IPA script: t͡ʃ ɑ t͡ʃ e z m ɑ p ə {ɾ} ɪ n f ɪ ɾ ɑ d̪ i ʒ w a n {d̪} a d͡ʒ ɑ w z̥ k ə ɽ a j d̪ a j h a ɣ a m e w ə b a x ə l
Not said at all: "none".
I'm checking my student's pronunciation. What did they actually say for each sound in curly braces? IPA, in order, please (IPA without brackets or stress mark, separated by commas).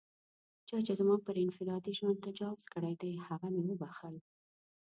ɾ, t̪